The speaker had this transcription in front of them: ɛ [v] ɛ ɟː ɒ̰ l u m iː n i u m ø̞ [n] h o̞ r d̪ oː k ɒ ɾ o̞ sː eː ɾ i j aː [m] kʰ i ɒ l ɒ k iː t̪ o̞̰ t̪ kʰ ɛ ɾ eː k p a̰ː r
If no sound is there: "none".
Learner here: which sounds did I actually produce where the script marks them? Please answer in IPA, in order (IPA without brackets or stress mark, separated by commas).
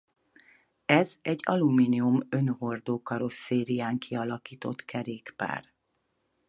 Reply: z, n, ŋ